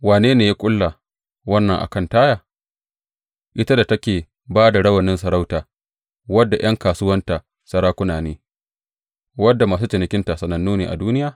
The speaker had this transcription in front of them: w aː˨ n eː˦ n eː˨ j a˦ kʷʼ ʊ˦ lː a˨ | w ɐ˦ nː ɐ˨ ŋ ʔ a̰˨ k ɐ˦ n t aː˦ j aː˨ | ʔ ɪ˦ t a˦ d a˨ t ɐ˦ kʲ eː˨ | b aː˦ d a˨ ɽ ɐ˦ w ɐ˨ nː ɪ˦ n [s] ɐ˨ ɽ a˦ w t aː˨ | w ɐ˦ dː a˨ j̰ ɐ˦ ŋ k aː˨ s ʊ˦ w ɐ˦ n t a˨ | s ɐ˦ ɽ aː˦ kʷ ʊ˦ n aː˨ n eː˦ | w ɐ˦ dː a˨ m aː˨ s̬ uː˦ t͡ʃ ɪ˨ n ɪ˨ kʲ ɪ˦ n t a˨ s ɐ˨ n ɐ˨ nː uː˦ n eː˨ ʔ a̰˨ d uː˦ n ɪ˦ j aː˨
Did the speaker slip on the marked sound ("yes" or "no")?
no